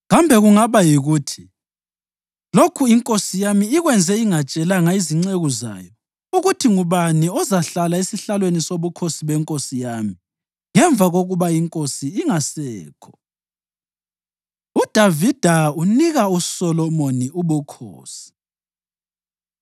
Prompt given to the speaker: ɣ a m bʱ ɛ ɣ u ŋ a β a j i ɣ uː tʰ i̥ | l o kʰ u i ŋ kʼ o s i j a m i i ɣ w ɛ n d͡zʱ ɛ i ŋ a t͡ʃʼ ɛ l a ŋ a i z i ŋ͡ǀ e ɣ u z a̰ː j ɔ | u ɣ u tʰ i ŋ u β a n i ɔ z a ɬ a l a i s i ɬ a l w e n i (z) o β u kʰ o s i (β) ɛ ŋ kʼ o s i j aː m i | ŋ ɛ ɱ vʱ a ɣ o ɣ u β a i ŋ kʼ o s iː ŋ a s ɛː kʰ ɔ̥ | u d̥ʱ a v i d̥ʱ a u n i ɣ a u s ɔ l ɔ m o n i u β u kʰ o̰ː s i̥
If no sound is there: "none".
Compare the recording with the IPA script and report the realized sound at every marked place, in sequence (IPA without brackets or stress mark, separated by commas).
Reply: s, β